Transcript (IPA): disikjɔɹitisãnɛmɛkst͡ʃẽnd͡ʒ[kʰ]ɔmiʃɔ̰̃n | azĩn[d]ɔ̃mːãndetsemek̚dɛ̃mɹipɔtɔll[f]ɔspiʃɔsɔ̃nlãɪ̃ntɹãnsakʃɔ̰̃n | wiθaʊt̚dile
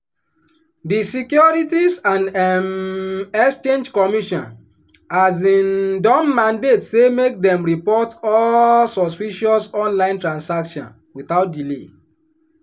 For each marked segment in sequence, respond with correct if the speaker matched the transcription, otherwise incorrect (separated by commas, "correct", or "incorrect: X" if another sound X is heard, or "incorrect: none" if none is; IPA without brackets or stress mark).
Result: incorrect: k, correct, incorrect: s